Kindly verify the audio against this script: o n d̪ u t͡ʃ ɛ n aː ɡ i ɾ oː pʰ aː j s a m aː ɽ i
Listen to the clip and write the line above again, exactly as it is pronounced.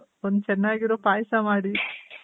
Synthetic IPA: o n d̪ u t͡ʃ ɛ nː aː ɡ i ɾ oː p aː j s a m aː ɽ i